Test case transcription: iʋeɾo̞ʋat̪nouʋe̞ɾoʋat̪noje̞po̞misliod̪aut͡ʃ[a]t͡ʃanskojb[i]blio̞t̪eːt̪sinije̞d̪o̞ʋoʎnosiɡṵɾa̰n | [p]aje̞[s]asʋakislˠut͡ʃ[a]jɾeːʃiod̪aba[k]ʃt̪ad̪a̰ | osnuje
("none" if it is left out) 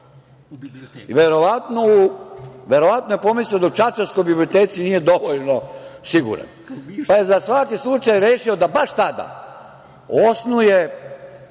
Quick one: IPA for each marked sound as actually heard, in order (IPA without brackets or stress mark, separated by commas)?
a, i, p, z, a, none